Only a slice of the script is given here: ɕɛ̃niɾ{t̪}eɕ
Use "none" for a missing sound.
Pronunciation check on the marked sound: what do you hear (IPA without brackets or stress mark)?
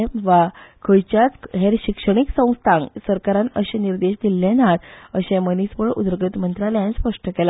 d̪